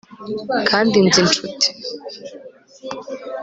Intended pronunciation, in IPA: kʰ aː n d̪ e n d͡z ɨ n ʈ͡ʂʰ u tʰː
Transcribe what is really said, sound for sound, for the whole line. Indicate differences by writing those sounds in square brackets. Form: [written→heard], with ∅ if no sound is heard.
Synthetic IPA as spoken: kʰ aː n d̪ [e→i] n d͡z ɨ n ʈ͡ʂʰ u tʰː